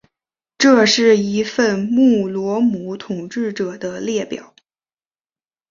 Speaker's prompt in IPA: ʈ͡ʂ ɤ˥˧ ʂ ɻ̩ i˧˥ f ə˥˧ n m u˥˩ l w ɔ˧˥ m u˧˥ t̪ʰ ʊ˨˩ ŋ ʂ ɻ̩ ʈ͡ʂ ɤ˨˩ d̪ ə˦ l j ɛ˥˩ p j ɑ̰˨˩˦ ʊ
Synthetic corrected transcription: ʈ͡ʂ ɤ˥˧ ʂ ɻ̩ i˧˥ f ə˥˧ n m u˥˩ l w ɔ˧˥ m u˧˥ t̪ʰ ʊ˨˩ ŋ ʈ͡ʂ ɻ̩ ʈ͡ʂ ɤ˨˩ d̪ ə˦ l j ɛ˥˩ p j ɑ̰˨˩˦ ʊ